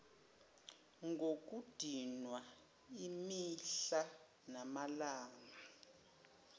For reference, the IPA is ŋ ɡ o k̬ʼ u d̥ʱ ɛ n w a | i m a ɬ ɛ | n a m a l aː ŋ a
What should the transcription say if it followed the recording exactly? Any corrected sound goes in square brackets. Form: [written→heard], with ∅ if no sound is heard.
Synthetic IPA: ŋ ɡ o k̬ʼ u d̥ʱ [ɛ→i] n w a | i m [a→i] ɬ [ɛ→a] | n a m a l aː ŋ a